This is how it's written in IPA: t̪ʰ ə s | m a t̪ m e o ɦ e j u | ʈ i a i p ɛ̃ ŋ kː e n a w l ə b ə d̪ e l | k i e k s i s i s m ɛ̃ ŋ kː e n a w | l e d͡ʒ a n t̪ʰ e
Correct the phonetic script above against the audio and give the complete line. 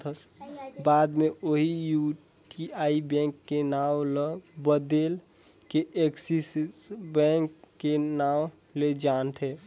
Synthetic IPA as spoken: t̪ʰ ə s | b a d̪ m e o ɦ i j u | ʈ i a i b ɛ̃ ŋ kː e n a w l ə b ə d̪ e l | k e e k s i s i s b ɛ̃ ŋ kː e n a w | l e d͡ʒ a n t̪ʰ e